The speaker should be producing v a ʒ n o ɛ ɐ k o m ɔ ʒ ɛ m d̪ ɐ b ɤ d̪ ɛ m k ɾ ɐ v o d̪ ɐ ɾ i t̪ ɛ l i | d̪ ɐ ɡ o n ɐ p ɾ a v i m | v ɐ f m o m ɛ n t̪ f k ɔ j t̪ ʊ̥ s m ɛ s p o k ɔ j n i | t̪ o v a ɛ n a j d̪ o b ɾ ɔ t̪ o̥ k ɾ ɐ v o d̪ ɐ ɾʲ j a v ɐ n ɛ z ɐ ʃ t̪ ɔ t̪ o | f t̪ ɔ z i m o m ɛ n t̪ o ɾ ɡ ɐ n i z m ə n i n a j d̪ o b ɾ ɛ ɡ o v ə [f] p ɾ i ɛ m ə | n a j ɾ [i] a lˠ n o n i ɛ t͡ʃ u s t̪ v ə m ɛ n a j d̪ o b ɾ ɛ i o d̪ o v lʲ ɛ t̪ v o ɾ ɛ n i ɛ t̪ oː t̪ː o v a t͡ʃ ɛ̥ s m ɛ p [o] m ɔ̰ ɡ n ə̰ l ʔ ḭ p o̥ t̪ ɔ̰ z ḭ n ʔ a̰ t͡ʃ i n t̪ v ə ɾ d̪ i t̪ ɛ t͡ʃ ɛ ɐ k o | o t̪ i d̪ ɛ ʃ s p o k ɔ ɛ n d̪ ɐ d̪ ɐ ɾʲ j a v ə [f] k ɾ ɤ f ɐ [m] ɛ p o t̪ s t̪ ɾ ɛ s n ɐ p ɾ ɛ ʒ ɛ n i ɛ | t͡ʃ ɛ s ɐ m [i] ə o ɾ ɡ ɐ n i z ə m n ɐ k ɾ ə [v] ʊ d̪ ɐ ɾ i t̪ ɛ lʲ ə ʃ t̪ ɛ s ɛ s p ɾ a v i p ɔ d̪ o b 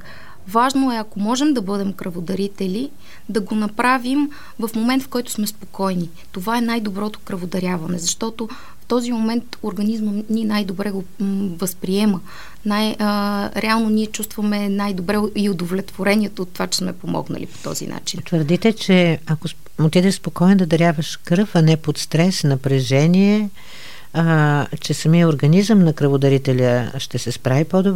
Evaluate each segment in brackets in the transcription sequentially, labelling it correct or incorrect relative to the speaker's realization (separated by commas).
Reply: incorrect, incorrect, correct, incorrect, incorrect, correct, correct